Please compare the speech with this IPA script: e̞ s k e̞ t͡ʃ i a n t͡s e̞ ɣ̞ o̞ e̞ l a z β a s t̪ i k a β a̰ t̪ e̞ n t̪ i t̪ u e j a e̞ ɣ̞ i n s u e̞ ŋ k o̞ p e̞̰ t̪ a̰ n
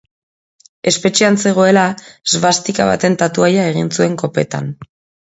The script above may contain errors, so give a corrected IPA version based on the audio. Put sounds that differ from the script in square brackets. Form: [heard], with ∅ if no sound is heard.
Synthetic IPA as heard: e̞ s [p] e̞ t͡ʃ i a n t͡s e̞ ɣ̞ o̞ e̞ l a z β a s t̪ i k a β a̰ t̪ e̞ n t̪ [a] t̪ u [a] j a e̞ ɣ̞ i n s u e̞ ŋ k o̞ p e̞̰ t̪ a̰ n